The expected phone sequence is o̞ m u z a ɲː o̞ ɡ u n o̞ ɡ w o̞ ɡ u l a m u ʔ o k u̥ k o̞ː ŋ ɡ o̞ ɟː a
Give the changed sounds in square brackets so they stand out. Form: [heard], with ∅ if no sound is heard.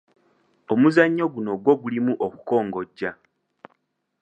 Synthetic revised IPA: o̞ m u z a ɲː o̞ ɡ u n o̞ ɡ w o̞ ɡ u l [i] m u ʔ o k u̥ k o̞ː ŋ ɡ o̞ ɟː a